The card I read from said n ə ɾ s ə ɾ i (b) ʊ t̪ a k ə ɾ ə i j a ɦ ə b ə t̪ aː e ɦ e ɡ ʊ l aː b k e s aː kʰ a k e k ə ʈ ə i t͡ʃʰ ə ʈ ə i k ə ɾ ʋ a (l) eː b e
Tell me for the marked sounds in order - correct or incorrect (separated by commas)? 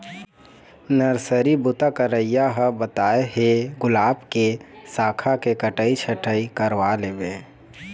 correct, correct